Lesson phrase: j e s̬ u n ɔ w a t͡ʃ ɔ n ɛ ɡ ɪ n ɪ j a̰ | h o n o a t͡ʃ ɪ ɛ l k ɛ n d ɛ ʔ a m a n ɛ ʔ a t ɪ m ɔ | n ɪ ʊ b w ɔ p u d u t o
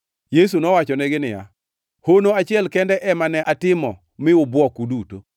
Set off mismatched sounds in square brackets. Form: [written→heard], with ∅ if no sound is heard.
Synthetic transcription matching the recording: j e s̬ u n ɔ w a t͡ʃ ɔ n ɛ ɡ ɪ n ɪ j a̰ | h o n o a t͡ʃ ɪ ɛ l k ɛ n d ɛ ʔ [a→ɛ] m a n ɛ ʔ a t ɪ m ɔ | [n→m] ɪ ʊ b w ɔ [p→k] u d u t o